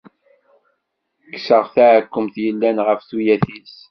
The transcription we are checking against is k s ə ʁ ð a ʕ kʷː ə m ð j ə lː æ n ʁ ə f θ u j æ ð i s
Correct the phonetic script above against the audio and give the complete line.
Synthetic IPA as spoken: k s ə ʁ θ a ʕ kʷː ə m θ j ə lː æ n ʁ ə f θ u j æ θ i s